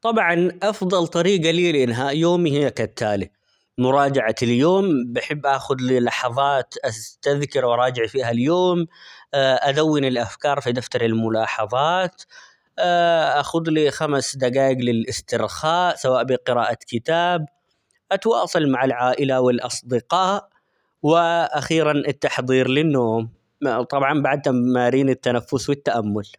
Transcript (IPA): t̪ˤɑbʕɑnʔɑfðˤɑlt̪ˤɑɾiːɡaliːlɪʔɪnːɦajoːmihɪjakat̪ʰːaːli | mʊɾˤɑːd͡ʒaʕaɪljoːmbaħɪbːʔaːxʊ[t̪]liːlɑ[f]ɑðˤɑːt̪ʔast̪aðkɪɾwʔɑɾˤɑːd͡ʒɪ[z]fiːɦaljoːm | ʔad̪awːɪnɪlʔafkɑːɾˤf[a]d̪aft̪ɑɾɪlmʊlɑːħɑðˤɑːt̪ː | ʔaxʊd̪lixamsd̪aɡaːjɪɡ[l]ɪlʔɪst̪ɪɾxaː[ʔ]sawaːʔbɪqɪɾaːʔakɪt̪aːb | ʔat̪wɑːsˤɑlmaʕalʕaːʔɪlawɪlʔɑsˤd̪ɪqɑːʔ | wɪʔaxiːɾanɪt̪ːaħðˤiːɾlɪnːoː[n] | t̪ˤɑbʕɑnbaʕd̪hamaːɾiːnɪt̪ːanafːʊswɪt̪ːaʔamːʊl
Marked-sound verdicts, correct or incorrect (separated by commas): incorrect, incorrect, incorrect, incorrect, correct, correct, incorrect